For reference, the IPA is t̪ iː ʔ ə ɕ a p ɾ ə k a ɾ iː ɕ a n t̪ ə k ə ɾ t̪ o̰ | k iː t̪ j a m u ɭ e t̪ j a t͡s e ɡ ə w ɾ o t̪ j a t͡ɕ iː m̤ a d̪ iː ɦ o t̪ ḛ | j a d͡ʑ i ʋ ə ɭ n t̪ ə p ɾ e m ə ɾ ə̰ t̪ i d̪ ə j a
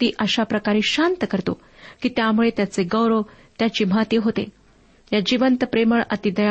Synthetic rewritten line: t̪ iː ʔ ə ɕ a p ɾ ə k a ɾ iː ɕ a n t̪ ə k ə ɾ t̪ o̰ | k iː t̪ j a m u ɭ e t̪ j a t͡s e ɡ ə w ɾ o t̪ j a t͡ɕ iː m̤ a t̪ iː ɦ o t̪ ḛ | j a d͡ʑ i ʋ ə n t̪ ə p ɾ e m ə ɭ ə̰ t̪ i d̪ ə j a